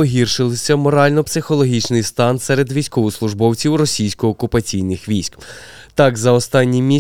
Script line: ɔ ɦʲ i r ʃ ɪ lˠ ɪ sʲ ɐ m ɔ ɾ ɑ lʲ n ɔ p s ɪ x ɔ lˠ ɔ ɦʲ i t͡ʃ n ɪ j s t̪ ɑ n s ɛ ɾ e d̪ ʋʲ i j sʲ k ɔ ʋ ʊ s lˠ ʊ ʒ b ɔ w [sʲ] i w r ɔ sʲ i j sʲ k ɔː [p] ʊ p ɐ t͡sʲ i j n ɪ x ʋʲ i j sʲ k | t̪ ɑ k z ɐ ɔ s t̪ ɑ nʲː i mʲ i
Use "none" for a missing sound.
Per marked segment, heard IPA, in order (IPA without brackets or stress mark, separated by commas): t͡sʲ, k